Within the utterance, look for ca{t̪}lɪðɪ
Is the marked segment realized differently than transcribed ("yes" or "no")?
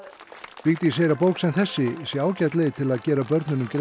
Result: no